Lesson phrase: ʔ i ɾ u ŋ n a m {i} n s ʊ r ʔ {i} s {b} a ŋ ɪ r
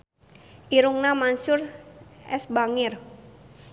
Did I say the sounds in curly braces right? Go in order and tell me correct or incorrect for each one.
incorrect: a, incorrect: ɛ, correct

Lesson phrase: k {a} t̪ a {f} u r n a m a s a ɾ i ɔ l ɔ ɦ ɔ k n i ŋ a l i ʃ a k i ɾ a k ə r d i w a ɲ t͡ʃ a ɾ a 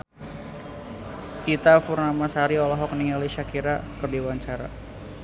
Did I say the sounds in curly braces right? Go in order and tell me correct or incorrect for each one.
incorrect: i, correct

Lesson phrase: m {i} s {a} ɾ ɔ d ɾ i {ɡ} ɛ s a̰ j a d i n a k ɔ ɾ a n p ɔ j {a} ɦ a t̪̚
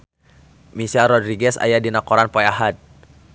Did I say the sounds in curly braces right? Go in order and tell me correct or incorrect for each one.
correct, correct, correct, correct

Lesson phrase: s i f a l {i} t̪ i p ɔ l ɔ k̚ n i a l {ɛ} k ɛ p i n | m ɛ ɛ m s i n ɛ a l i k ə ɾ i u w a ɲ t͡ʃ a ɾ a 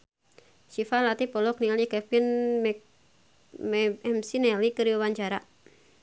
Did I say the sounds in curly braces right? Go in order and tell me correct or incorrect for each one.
incorrect: a, incorrect: i

